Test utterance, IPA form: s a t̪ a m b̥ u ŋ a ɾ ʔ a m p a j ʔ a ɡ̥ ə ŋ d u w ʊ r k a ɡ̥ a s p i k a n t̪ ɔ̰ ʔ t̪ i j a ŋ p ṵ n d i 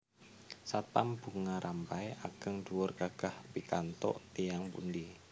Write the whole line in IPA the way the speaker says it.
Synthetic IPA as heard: s a t̪ a m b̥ u ŋ a ɾ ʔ a m p a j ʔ a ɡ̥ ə ŋ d u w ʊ r k a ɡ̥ a h p i k a n t̪ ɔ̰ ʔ t̪ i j a ŋ p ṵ n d i